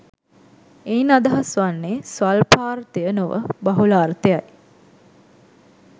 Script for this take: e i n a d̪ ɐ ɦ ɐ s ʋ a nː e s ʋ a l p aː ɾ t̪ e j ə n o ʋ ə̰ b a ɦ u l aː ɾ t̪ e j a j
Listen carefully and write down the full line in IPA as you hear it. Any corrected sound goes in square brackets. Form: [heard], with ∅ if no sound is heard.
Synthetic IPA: e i n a d̪ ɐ ɦ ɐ s ʋ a nː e s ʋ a l p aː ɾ t̪ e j ə n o ʋ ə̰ b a ɦ u l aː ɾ t̪ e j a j